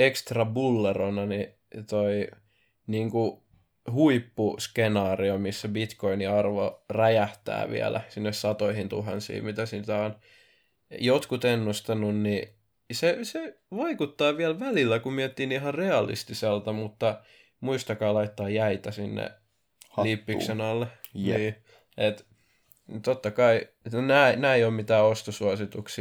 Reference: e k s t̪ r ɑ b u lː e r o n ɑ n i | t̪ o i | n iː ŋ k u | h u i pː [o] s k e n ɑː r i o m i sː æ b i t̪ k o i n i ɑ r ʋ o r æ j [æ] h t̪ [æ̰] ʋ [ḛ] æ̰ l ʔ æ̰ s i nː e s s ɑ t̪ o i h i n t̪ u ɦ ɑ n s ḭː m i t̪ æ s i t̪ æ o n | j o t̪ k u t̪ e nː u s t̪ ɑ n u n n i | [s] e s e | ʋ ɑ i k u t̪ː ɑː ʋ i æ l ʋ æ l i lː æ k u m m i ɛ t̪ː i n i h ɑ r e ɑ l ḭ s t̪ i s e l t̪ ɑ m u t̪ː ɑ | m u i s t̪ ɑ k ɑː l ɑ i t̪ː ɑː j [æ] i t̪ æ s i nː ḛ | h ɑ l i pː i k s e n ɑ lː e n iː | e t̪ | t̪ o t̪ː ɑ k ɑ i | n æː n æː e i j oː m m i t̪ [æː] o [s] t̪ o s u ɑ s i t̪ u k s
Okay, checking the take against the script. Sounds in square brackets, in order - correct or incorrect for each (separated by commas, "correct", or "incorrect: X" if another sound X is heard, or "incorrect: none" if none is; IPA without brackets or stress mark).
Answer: incorrect: u, correct, incorrect: æ̰ː, incorrect: ḭ, correct, correct, correct, correct